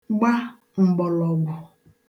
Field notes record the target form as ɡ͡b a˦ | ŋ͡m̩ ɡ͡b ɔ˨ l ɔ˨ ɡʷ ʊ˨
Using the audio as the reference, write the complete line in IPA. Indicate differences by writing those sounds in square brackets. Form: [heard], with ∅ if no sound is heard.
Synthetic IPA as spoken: ɡ͡b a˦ | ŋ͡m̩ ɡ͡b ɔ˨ l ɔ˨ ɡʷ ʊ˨